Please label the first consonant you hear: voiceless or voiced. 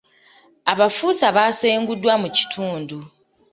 voiced